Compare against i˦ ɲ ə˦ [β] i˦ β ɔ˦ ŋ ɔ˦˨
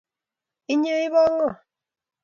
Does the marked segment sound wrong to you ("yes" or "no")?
yes